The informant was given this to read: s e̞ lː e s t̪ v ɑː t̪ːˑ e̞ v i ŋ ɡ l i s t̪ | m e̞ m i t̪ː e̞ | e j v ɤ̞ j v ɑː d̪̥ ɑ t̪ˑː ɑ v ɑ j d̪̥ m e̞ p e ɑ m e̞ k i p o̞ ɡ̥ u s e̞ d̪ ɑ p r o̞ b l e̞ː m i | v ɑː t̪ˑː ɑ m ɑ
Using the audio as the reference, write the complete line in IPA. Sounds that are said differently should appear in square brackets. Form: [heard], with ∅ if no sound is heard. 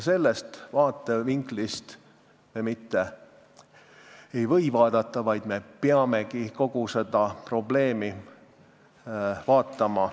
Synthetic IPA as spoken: s e̞ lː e s t̪ v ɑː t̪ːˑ e̞ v i ŋ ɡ l i s t̪ | m e̞ m i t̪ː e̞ | e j v ɤ̞ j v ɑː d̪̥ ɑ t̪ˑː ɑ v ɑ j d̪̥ m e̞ p e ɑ m e̞ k i [k] o̞ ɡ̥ u s e̞ d̪ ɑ p r o̞ b l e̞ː m i | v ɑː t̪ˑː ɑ m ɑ

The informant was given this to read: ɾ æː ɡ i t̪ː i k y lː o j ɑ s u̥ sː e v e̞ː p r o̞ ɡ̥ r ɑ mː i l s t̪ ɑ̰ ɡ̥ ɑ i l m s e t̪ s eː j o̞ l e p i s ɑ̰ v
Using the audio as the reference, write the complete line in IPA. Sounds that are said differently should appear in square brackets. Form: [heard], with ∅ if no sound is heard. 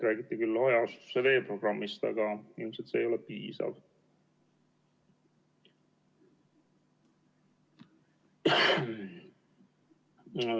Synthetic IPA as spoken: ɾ æː ɡ i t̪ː i k y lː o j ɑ s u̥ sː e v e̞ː p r o̞ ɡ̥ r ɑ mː i [∅] s t̪ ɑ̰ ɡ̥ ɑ i l m s e t̪ s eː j o̞ l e p [iː] s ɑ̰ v

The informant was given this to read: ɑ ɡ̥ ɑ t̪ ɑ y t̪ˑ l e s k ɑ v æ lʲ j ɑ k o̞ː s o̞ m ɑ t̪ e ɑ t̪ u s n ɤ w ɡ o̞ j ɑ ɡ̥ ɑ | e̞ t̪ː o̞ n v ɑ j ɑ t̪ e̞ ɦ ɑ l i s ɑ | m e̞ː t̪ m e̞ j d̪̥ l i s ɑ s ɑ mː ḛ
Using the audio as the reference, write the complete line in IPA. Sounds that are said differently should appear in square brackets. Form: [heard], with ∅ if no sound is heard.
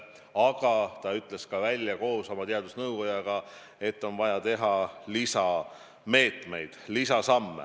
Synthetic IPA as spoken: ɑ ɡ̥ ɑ t̪ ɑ y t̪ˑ l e s k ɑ v æ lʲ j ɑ k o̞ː s o̞ m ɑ t̪ e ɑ [d̪] u s n ɤ w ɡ o̞ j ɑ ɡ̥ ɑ | e̞ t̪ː o̞ n v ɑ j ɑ t̪ e̞ ɦ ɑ l i s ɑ | m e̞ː t̪ m e̞ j d̪̥ l i s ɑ s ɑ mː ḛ

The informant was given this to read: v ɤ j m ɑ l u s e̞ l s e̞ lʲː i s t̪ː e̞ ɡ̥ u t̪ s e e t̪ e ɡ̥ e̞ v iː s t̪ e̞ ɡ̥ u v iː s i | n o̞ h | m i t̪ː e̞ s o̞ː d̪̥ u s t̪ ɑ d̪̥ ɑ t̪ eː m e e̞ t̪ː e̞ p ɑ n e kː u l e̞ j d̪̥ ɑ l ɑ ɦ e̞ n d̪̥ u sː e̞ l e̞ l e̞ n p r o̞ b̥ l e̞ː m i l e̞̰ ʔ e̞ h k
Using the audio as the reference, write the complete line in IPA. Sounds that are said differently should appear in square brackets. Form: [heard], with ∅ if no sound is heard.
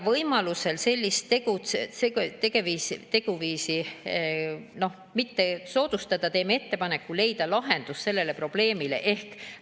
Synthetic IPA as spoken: v ɤ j m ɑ l u s e̞ l s e̞ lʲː i s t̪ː e̞ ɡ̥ u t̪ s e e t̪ e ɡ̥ e̞ v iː s t̪ e̞ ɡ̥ u v iː s i | n o̞ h | m i t̪ː e̞ s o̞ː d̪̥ u s t̪ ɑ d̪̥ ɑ t̪ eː m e e̞ t̪ː e̞ p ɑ n e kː u l e̞ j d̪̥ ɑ l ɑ ɦ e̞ n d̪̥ u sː e̞ [lː] e̞ l e̞ [∅] p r o̞ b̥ l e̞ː m i l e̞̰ ʔ e̞ h k

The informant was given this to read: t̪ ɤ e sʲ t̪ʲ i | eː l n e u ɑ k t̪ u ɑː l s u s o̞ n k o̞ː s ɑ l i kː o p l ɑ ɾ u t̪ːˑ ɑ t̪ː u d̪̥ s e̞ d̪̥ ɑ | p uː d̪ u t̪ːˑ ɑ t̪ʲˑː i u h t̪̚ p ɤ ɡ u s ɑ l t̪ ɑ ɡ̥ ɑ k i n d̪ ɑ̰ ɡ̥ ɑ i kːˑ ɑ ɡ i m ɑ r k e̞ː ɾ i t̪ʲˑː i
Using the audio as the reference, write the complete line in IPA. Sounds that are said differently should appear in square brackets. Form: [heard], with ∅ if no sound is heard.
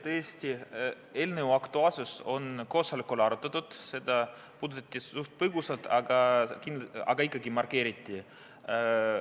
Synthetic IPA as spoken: t̪ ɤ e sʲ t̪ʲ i | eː l n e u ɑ k t̪ u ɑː l s u s o̞ n k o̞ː s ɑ l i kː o [∅] l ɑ ɾ u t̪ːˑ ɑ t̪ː u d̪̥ s e̞ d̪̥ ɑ | p uː d̪ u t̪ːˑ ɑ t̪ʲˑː i u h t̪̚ p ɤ ɡ u s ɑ l t̪ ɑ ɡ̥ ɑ k i n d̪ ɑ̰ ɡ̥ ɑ i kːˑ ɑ ɡ i m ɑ r k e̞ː ɾ i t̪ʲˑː i

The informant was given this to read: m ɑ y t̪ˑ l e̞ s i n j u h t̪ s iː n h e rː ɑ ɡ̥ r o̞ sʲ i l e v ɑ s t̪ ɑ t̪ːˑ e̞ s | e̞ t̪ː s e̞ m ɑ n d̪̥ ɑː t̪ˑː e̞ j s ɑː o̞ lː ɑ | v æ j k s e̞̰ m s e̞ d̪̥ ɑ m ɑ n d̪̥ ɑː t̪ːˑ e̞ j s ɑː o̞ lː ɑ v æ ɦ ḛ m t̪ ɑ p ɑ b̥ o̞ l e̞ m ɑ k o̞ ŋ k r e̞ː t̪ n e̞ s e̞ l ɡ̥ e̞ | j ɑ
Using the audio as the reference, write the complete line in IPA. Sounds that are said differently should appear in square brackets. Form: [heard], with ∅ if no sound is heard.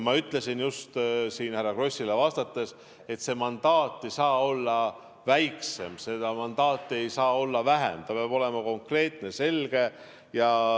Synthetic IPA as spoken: m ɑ y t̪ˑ l e̞ s i n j u [s] t̪ s iː n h [æ] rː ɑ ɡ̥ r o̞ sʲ i l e v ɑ s t̪ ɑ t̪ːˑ e̞ s | e̞ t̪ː s e̞ m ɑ n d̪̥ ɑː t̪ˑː e̞ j s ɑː o̞ lː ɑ | v æ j k s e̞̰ m s e̞ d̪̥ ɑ m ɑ n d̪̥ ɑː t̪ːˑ e̞ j s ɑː o̞ lː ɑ v æ ɦ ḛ m t̪ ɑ p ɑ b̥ o̞ l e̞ m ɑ k o̞ ŋ k r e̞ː t̪ n e̞ s e̞ l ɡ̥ e̞ | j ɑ

